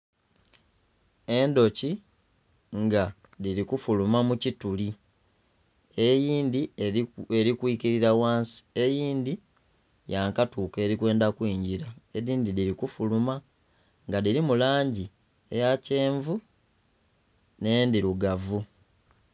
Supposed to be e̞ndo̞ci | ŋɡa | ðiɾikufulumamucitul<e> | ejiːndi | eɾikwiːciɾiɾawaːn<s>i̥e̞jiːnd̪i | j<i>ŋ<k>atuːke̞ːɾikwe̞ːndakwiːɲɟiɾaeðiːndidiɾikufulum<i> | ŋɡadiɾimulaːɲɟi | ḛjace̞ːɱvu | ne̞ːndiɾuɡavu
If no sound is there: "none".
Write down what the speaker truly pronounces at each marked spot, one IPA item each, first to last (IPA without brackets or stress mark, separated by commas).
i, s, a, k, a